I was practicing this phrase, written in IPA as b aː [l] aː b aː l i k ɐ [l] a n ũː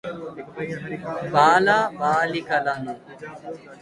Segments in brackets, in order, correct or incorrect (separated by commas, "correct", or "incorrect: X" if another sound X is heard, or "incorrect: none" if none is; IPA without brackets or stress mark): correct, correct